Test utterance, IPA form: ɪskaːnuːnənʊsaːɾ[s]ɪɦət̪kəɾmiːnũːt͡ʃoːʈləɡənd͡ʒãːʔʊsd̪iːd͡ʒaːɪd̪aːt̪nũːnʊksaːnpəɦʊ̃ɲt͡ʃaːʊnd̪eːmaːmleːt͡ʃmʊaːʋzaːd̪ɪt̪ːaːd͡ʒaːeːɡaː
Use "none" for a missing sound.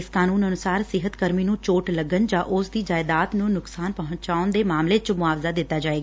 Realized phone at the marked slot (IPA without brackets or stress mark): s